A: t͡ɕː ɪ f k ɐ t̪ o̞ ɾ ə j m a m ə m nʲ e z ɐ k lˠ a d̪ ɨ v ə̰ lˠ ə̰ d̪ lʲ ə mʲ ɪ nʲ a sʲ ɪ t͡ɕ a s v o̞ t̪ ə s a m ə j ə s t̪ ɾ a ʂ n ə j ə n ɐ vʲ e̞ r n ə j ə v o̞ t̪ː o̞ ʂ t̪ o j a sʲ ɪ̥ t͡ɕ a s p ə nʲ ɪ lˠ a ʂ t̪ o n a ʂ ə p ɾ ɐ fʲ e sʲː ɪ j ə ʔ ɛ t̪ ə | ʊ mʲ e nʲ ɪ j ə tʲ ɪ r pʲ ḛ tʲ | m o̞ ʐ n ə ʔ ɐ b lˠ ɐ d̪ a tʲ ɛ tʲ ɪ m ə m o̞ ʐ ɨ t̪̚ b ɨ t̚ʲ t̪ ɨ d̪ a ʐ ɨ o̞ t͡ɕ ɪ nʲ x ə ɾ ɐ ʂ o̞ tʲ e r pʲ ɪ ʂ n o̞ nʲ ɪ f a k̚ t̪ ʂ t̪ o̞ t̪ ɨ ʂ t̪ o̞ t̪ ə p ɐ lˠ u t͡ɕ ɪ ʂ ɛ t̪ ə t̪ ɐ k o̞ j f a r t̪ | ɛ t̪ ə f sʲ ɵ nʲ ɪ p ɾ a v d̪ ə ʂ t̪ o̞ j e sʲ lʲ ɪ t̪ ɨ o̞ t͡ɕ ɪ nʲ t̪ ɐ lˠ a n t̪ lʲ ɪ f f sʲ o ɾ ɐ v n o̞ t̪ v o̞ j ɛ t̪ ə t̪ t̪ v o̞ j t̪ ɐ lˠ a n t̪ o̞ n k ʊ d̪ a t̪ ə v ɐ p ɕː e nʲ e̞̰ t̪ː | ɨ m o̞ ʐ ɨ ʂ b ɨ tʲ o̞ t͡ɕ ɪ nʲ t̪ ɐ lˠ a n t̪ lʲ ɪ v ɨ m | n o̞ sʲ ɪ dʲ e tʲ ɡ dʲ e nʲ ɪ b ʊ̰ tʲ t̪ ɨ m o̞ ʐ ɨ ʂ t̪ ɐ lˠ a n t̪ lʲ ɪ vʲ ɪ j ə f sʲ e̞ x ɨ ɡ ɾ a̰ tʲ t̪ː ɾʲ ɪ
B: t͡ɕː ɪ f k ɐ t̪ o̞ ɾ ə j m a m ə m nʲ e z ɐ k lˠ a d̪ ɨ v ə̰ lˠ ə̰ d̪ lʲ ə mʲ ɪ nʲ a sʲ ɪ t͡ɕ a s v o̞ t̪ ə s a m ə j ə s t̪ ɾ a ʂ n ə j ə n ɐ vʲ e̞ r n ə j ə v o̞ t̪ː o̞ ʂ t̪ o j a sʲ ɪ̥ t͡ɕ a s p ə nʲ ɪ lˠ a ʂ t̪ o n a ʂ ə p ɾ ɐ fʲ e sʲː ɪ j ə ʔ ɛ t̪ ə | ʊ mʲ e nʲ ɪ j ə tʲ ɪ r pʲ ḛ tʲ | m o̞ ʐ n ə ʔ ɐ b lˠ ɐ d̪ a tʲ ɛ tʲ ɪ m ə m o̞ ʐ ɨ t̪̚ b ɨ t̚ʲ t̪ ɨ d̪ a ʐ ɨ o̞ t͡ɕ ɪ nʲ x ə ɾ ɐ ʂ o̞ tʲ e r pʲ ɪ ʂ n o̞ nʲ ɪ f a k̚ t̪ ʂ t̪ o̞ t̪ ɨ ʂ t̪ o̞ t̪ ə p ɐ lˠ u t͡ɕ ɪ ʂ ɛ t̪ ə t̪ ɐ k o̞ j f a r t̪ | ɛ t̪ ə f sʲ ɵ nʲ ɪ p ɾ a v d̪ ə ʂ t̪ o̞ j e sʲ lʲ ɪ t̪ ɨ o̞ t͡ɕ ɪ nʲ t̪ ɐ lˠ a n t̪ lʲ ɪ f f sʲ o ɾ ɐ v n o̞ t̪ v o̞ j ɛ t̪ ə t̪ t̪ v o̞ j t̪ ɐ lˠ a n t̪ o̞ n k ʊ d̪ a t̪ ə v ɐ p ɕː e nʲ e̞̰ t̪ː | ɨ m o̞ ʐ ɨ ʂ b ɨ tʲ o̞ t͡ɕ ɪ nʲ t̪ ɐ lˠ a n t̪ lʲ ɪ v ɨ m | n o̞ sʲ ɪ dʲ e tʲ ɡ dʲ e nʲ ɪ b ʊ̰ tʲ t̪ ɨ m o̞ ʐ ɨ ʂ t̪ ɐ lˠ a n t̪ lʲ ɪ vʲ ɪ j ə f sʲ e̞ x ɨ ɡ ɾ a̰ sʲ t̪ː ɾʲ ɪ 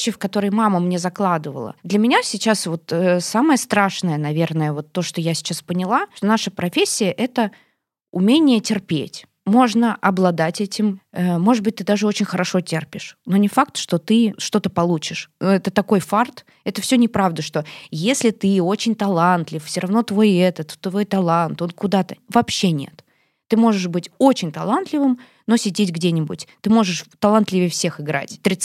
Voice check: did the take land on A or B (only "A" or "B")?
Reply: A